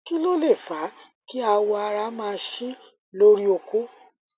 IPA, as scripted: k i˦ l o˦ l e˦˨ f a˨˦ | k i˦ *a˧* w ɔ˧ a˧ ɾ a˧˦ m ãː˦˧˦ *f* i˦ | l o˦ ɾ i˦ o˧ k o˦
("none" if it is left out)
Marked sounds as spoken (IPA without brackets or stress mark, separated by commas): a˧, ʃ